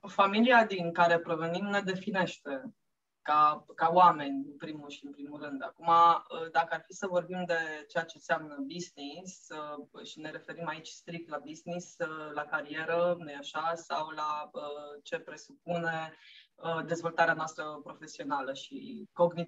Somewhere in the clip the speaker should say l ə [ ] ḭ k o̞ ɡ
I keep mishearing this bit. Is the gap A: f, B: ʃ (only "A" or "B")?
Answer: B